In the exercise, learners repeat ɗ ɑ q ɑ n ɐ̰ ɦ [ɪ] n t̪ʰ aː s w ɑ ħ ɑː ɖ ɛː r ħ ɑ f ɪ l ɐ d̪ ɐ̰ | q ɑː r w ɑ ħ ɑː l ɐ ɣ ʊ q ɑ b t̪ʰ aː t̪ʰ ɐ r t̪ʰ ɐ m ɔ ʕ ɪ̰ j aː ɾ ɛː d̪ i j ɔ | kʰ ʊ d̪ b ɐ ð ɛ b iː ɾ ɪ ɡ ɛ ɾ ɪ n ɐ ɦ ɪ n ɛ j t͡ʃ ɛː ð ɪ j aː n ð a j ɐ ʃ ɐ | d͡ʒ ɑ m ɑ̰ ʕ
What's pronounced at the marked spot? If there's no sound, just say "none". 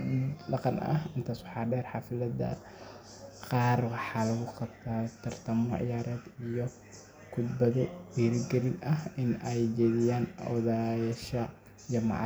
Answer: ɪ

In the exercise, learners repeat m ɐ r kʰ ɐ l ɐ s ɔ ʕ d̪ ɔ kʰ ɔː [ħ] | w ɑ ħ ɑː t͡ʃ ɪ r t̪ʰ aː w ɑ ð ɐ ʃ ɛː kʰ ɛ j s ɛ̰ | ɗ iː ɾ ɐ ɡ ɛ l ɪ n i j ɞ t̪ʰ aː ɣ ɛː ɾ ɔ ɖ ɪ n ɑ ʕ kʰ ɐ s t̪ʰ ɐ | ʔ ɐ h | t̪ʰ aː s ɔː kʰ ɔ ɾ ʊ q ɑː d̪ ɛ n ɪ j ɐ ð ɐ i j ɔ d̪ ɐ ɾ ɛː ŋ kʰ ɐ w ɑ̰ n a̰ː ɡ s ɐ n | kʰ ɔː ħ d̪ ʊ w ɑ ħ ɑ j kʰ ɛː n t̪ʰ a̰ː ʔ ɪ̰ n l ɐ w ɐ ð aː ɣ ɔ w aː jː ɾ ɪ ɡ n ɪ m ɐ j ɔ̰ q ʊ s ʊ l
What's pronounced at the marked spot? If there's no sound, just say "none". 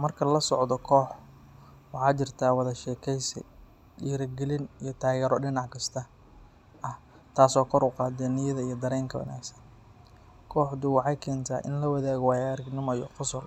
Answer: ħ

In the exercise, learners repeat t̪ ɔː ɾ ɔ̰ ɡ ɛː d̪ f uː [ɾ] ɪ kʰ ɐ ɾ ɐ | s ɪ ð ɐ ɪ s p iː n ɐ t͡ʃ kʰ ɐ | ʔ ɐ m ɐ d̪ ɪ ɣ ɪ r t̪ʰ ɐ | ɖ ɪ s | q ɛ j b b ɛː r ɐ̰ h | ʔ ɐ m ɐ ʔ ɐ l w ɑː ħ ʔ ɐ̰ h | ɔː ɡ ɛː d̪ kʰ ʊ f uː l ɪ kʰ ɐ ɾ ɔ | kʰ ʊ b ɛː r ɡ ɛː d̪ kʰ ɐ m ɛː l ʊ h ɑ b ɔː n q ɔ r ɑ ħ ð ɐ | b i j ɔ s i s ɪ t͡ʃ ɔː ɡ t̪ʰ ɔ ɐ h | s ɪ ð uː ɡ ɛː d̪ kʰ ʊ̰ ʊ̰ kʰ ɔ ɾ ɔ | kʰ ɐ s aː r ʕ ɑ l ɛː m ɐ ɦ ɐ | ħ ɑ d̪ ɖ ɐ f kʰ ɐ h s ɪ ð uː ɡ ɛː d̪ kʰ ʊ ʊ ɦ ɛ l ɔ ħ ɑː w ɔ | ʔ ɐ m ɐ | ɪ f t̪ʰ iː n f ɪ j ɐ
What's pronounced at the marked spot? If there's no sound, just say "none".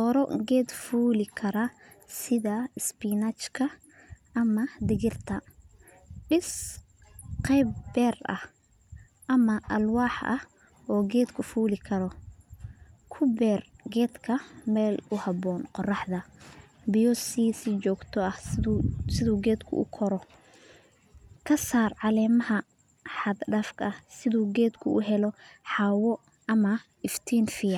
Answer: l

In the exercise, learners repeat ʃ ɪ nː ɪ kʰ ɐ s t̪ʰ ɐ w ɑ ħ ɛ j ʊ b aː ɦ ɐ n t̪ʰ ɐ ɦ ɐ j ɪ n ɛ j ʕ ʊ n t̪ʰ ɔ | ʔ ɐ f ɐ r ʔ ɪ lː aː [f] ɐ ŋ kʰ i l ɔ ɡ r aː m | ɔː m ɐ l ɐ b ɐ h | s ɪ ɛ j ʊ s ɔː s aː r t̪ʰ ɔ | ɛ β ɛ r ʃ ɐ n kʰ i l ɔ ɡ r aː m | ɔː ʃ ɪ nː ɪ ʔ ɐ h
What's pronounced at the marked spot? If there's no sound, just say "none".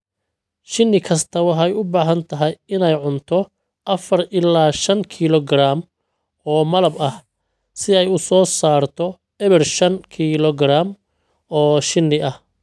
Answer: ʃ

